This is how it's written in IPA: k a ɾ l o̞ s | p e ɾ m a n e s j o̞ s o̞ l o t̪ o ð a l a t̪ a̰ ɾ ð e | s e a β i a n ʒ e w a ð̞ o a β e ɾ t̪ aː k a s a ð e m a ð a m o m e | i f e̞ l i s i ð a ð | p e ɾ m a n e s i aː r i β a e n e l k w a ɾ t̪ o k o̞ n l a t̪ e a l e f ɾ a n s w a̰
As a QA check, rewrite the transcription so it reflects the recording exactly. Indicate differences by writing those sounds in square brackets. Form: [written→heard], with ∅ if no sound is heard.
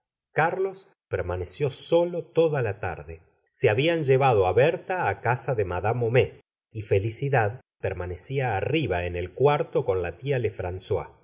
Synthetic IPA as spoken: k a ɾ l o̞ s | p e ɾ m a n e s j o̞ s o̞ l o t̪ o ð a l a t̪ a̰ ɾ ð e | s e a β i a n ʒ e [w→β] a ð̞ o a β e ɾ t̪ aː k a s a ð e m a ð a m o m e | i f e̞ l i s i ð a ð | p e ɾ m a n e s i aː r i β a e n e l k w a ɾ t̪ o k o̞ n l a t̪ [e→i] a l e f ɾ a n s w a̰